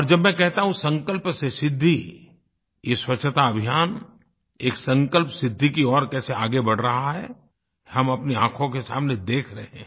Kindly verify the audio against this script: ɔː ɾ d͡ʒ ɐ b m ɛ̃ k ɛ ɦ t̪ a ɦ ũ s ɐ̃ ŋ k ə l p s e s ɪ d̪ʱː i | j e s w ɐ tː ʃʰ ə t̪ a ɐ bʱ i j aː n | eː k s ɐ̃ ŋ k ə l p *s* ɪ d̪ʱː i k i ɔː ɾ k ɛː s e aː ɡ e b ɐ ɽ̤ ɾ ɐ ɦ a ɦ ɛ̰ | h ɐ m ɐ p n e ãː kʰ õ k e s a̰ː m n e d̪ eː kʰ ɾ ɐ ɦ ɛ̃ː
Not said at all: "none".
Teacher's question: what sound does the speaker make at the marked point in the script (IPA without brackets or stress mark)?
s